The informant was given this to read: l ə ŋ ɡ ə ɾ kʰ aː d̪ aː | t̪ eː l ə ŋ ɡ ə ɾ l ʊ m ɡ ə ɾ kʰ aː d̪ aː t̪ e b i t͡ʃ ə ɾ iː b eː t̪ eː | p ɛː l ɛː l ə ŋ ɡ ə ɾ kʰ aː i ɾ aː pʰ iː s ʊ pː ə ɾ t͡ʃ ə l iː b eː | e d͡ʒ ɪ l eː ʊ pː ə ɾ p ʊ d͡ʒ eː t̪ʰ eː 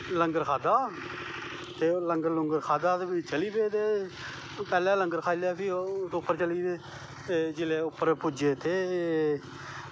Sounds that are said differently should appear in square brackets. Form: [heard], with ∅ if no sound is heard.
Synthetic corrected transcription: l ə ŋ ɡ ə ɾ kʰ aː d̪ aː | t̪ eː l ə ŋ ɡ ə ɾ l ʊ [ŋ] ɡ ə ɾ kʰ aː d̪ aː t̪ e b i t͡ʃ ə [l] iː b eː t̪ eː | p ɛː l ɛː l ə ŋ ɡ ə ɾ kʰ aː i [l] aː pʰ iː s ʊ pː ə ɾ t͡ʃ ə l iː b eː | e d͡ʒ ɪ l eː ʊ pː ə ɾ p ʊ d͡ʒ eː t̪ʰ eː